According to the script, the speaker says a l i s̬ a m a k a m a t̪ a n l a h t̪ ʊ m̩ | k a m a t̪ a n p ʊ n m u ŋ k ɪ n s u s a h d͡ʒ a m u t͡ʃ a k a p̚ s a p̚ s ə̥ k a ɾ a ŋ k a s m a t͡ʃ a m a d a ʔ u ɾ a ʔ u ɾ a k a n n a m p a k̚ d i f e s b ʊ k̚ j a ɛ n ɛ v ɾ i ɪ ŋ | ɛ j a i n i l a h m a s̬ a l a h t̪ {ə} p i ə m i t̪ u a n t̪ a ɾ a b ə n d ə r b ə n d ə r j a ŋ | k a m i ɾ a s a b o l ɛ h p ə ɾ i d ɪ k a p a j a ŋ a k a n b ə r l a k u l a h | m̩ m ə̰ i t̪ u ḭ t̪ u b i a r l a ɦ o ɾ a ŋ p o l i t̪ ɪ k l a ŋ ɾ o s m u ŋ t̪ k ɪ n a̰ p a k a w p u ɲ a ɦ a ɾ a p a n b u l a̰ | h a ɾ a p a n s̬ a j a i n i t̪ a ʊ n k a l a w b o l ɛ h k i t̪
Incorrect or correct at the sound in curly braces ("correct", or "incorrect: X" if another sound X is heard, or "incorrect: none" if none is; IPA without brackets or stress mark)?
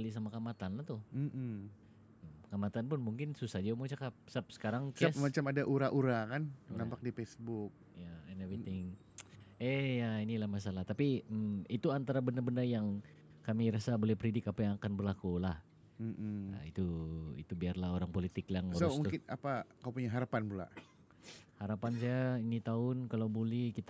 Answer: incorrect: a